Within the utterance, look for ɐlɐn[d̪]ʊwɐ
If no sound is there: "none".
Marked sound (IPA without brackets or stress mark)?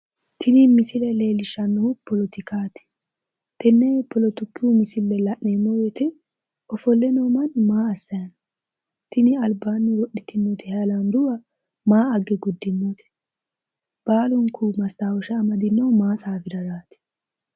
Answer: d̪